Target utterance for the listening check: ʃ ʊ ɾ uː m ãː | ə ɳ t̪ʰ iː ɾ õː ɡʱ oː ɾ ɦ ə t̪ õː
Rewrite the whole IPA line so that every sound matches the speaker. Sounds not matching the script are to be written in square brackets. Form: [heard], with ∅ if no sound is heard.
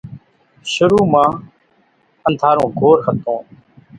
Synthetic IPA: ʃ ʊ ɾ uː m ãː | ə [n] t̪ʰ [aː] ɾ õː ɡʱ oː ɾ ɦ ə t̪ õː